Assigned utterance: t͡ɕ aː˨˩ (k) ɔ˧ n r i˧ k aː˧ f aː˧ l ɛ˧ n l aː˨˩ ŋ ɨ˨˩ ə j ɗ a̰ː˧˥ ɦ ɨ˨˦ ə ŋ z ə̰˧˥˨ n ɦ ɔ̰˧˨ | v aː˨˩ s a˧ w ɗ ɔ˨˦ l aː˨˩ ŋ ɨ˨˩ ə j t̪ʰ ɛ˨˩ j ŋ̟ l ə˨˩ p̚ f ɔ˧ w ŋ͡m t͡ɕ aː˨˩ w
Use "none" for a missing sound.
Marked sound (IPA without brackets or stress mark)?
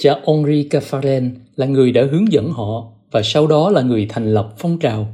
ʔ